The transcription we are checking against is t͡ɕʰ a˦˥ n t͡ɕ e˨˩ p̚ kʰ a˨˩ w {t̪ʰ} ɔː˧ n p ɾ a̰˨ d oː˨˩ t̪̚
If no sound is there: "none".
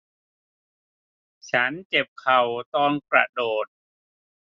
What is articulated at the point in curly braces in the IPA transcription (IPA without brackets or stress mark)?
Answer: t̪